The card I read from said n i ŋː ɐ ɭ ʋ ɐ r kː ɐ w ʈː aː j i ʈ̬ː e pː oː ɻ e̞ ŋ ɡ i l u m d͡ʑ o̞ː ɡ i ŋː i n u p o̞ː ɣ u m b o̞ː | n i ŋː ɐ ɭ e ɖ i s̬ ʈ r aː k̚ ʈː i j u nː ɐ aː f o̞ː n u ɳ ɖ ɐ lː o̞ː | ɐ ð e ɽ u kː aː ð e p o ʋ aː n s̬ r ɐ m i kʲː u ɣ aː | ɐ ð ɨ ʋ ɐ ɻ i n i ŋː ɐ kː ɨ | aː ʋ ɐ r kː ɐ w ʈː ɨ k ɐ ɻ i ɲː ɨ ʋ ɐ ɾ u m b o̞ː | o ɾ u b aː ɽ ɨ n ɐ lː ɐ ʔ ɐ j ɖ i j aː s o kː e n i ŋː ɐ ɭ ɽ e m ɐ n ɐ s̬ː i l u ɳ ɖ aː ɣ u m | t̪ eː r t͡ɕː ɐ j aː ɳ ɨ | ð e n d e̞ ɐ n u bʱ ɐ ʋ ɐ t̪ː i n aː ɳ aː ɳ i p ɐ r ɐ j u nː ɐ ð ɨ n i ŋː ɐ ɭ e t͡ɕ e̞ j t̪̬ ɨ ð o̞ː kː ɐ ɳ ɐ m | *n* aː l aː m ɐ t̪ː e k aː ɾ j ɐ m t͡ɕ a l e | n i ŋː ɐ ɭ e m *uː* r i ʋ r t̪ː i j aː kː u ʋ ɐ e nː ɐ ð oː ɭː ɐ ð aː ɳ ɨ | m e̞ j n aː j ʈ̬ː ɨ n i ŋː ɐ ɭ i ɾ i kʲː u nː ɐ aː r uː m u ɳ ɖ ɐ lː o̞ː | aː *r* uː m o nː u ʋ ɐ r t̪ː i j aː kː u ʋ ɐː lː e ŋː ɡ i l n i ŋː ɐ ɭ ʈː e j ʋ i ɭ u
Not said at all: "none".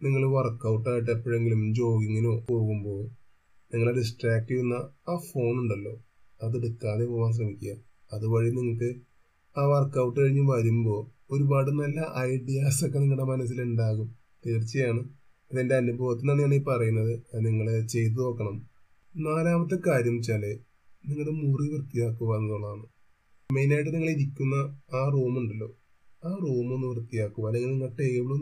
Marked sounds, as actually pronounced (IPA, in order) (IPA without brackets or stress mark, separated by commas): n, u, r